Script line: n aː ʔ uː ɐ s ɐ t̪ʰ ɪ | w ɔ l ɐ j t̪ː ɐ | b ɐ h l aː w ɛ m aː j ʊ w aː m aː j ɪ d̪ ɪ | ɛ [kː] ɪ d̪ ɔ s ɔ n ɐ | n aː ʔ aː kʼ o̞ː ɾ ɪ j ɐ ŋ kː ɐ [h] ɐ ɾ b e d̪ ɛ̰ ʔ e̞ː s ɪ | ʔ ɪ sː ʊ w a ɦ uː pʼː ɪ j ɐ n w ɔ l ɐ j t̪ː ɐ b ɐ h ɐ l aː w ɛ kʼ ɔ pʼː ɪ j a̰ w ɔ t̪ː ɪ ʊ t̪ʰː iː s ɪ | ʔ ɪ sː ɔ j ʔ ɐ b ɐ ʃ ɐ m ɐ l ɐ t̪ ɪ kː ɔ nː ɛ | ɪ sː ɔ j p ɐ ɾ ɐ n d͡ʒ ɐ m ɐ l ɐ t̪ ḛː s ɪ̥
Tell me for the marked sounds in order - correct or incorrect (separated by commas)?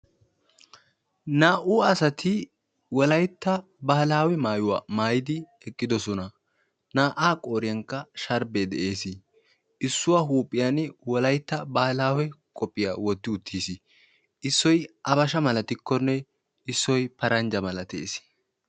incorrect, incorrect